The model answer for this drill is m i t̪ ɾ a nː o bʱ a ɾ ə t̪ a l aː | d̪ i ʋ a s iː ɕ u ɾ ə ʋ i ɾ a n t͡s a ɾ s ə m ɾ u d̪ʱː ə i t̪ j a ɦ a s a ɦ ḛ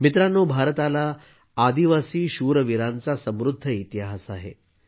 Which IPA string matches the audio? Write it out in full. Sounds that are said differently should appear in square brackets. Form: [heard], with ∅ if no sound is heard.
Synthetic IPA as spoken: m i t̪ ɾ a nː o bʱ a ɾ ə t̪ a l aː | d̪ i ʋ a s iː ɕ u ɾ ə ʋ i ɾ a n t͡s a [∅] s ə m ɾ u d̪ʱː ə i t̪ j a ɦ a s a ɦ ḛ